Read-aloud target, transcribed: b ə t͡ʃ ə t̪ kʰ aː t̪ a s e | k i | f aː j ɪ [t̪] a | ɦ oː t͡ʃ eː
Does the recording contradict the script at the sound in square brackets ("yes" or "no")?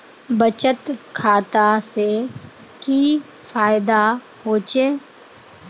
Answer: yes